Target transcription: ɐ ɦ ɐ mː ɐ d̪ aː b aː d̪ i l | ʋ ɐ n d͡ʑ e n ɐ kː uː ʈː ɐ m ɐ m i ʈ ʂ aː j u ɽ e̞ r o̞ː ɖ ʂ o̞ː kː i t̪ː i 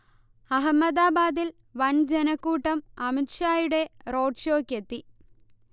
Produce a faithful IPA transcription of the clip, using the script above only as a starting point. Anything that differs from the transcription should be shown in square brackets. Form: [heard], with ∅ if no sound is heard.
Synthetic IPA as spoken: ɐ ɦ ɐ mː ɐ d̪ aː b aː d̪ i l | ʋ ɐ n d͡ʑ e n ɐ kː uː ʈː ɐ m ɐ m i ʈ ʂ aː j u ɽ e̞ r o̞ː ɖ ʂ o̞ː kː [e] t̪ː i